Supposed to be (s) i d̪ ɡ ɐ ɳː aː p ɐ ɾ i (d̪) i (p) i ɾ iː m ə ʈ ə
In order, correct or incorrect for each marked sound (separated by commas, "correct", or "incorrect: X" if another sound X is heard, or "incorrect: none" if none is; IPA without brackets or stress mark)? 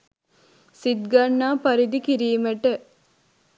correct, correct, incorrect: k